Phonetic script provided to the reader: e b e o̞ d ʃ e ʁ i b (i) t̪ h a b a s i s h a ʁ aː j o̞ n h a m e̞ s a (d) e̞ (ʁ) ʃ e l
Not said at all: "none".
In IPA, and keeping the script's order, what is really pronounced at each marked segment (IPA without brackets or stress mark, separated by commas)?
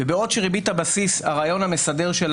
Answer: i, d, ʁ